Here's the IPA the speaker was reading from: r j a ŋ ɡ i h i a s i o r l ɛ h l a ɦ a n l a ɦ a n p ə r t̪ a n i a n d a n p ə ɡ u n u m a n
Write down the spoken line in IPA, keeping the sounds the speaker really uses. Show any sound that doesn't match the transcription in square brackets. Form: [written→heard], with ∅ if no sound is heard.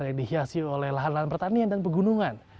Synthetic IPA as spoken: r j a ŋ [ɡ→d] i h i a s i o [r→∅] l ɛ h l a ɦ a n l a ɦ a n p ə r t̪ a n i a n d a n p ə ɡ u n u [m→ŋ] a n